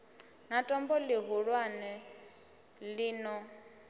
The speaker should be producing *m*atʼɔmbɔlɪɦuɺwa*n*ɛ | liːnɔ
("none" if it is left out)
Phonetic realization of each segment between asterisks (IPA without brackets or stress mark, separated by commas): n, n